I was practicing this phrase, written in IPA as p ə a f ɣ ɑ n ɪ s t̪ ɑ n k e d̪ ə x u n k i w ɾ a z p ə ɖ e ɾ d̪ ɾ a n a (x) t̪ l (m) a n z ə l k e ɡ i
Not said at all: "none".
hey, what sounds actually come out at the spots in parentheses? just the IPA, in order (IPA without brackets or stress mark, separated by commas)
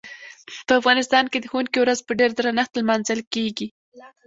x, m